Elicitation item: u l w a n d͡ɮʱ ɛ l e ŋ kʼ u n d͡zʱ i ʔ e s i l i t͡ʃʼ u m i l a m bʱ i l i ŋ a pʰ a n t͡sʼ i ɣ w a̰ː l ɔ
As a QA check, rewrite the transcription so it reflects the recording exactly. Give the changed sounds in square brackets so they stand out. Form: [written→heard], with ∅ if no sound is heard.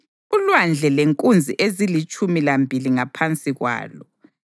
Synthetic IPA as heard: u l w a n d͡ɮʱ ɛ l e ŋ kʼ u n d͡zʱ i ʔ e [s→z] i l i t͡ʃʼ u m i l a m bʱ i l i ŋ a pʰ a n t͡sʼ i ɣ w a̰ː l ɔ